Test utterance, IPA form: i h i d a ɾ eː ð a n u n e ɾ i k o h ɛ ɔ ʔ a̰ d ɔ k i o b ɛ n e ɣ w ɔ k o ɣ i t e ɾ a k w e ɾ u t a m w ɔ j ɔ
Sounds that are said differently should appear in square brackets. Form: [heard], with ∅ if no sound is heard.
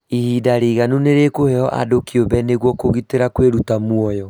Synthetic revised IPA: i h i d a ɾ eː [ɣ] a n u n e ɾ [e] k o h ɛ ɔ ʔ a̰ d [o] k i o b ɛ n e ɣ w ɔ k o ɣ i t e ɾ a k w e ɾ u t a m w ɔ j ɔ